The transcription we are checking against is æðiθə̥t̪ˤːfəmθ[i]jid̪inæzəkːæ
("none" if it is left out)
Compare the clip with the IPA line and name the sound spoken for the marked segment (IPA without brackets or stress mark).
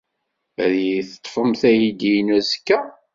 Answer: æ